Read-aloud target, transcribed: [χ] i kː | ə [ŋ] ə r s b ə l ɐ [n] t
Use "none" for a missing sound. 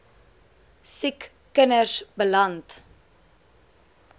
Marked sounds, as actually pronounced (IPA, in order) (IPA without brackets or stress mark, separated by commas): s, n, n